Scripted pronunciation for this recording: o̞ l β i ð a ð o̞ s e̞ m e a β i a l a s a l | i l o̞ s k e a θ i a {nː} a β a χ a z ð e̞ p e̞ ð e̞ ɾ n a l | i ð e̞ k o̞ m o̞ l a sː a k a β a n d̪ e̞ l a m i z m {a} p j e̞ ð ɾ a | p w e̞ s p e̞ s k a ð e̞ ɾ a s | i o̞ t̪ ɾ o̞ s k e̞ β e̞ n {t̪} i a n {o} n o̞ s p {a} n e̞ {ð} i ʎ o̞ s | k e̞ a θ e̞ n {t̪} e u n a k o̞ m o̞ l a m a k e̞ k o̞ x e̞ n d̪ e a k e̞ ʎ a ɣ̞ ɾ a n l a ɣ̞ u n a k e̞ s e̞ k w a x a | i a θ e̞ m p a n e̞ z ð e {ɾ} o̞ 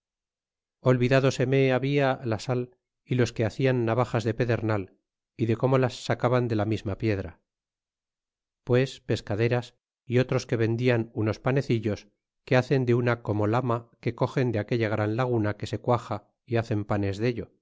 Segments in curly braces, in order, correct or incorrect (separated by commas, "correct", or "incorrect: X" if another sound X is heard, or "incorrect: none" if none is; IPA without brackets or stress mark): correct, correct, incorrect: d̪, incorrect: u, correct, incorrect: θ, incorrect: d̪, incorrect: ʎ